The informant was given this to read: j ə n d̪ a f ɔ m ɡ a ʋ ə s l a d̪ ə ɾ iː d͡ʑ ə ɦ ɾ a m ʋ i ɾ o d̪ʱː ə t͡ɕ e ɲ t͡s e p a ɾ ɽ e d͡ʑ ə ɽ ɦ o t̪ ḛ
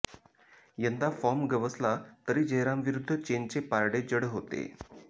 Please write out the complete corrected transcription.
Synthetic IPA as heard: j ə n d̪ a f ɔ m ɡ ə ʋ ə s l a t̪ ə ɾ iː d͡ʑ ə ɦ ɾ a m ʋ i ɾ u d̪ʱː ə t͡ɕ e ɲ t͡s e p a ɾ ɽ e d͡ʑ ə ɽ ɦ o t̪ ḛ